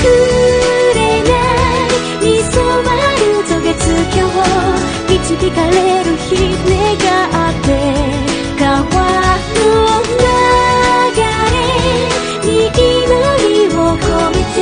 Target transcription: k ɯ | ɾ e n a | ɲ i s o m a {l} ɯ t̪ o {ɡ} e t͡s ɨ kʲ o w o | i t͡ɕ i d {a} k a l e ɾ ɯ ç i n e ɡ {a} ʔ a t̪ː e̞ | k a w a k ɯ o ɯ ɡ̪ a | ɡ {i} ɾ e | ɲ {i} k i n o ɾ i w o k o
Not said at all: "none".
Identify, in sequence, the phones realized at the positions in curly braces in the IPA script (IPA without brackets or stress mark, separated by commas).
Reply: ɾ, ɡ, i, a, a, i